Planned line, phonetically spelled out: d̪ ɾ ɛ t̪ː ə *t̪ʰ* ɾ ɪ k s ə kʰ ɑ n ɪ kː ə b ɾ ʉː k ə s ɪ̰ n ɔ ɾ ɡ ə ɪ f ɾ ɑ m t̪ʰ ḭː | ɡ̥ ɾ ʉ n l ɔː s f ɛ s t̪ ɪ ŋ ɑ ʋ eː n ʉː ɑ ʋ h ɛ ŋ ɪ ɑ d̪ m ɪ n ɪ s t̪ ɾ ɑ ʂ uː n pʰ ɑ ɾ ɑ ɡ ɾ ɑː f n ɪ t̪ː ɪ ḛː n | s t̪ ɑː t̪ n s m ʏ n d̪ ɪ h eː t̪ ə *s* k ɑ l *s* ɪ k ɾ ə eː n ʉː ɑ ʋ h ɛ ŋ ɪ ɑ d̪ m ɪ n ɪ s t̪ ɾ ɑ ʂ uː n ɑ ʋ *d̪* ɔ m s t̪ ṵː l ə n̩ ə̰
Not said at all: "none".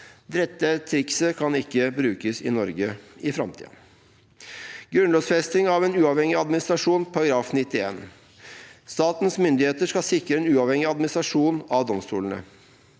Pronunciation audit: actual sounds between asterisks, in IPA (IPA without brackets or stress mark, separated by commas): t̪ʰ, ʂ, s, d̪